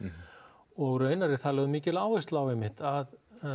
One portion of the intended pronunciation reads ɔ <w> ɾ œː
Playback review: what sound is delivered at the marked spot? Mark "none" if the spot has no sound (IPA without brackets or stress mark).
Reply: ɣ